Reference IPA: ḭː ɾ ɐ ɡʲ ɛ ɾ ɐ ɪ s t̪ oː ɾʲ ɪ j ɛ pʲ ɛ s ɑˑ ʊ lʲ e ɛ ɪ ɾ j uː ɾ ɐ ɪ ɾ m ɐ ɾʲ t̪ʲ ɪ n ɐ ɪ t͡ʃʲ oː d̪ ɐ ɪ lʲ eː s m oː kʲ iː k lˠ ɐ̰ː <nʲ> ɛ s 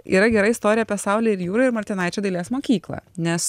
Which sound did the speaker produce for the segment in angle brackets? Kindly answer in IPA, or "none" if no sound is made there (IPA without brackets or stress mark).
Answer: nʲ